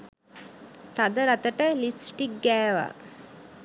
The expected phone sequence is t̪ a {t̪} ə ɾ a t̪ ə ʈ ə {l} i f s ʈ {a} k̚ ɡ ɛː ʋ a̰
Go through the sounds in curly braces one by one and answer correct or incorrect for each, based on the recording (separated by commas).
incorrect, correct, incorrect